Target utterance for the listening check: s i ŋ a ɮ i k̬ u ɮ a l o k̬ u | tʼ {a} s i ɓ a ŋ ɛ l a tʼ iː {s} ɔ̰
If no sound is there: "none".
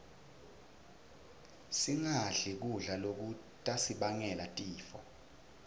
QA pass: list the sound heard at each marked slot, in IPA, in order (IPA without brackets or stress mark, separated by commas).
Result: a, f